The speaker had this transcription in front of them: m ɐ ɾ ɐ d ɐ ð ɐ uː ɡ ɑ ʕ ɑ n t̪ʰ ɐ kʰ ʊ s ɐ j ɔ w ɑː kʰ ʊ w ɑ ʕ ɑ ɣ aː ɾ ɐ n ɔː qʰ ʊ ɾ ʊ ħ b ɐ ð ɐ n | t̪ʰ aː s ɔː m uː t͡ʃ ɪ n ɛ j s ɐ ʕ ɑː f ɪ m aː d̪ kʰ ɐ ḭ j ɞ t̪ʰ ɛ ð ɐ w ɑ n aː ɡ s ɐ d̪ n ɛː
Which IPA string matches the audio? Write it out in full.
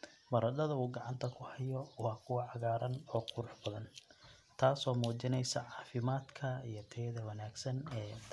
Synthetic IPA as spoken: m ɐ ɾ ɐ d ɐ ð ɐ uː ɡ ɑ ʕ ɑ n t̪ʰ ɐ kʰ ʊ h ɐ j ɔ w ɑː kʰ ʊ w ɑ ʕ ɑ ɣ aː ɾ ɐ n ɔː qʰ ʊ ɾ ʊ ħ b ɐ ð ɐ n | t̪ʰ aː s ɔː m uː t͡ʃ ɪ n ɛ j s ɐ ʕ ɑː f ɪ m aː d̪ kʰ ɐ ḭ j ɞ t̪ʰ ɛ ð ɐ w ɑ n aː ɡ s ɐ n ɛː